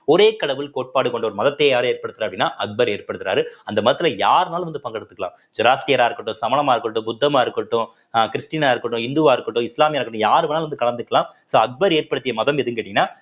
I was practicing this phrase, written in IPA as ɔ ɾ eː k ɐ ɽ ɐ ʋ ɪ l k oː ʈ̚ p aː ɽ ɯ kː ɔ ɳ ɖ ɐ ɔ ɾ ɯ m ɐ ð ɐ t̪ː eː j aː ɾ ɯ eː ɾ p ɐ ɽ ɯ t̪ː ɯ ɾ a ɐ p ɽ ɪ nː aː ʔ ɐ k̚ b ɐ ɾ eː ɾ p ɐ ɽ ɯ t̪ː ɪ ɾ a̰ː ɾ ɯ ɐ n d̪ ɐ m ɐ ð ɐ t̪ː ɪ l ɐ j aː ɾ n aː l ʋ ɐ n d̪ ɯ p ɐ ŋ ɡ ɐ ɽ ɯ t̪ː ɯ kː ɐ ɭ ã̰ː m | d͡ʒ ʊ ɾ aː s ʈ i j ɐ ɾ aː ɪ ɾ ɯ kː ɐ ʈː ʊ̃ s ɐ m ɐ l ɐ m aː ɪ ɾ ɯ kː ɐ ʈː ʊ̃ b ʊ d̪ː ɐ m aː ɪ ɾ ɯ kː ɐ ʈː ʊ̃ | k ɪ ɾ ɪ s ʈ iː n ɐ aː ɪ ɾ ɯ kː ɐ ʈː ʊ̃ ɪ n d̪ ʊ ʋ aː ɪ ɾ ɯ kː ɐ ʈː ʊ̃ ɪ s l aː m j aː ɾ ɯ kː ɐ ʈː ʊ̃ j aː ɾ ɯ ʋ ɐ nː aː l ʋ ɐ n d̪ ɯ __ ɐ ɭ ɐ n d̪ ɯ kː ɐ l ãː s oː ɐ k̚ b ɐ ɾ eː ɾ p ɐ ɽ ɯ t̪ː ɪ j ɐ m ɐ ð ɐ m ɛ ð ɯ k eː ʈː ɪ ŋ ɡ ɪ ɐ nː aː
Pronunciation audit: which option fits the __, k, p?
k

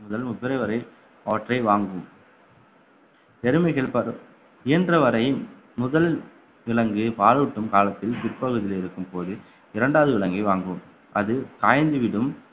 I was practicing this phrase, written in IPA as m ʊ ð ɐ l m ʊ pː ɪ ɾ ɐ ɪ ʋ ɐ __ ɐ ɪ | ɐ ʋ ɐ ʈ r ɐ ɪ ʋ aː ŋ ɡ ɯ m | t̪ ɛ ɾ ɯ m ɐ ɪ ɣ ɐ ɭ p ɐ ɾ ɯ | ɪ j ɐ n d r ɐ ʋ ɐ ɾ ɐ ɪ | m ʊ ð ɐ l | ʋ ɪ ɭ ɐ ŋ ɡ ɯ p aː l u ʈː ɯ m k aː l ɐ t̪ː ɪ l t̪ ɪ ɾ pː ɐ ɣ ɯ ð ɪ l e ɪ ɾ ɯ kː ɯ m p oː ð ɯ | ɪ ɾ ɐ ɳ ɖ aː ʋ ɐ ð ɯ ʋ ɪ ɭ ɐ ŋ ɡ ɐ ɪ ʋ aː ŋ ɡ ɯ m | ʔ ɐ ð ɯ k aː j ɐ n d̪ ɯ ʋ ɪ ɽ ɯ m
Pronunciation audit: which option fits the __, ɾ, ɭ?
ɾ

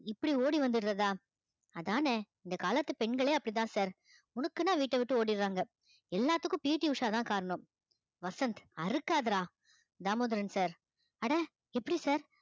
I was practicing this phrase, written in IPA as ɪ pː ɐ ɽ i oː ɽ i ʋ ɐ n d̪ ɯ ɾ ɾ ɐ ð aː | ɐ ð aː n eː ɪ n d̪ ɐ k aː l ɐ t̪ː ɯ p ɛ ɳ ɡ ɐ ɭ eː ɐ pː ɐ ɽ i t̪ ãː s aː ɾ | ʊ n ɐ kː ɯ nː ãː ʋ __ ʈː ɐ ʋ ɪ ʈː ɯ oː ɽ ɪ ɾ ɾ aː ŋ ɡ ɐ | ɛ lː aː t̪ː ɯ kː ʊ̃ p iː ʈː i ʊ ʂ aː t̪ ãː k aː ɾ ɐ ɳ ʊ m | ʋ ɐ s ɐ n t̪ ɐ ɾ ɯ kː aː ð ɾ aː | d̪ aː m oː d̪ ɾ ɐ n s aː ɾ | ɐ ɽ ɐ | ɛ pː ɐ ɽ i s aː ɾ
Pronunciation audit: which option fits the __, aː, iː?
iː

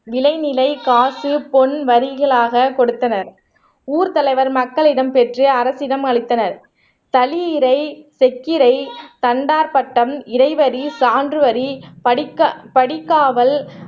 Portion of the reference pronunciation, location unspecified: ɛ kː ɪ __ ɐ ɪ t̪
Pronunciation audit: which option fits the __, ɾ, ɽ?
ɾ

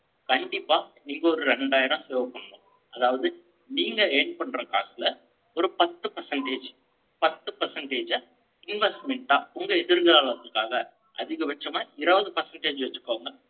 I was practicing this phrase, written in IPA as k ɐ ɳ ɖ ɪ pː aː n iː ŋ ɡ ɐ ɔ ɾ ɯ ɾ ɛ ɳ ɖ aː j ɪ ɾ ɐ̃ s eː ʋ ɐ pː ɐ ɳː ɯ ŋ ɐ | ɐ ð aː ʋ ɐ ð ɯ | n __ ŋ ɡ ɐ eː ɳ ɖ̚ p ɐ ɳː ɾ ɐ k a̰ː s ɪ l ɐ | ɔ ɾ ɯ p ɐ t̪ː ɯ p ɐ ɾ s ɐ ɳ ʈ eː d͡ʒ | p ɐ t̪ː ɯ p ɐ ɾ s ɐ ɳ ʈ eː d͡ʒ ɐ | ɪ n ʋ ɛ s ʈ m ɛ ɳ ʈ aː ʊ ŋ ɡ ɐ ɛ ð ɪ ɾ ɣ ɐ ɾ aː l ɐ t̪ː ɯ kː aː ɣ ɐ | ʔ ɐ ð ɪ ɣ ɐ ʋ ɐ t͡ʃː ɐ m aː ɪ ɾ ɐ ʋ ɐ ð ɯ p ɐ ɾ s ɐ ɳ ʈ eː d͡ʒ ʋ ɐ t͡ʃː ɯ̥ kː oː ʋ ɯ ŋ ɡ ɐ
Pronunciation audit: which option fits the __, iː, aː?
iː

